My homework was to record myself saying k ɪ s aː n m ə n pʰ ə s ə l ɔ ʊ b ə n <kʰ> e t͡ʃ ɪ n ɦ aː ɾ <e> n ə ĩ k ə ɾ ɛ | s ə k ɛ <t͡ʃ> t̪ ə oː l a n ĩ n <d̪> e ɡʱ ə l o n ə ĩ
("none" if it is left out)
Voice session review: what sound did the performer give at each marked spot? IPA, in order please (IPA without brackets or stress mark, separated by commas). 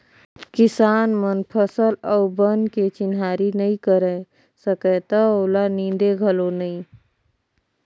k, i, none, d̪